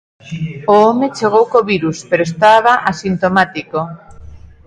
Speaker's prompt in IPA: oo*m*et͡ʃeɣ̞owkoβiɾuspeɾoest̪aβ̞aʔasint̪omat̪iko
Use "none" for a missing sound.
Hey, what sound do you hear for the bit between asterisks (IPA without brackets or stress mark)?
m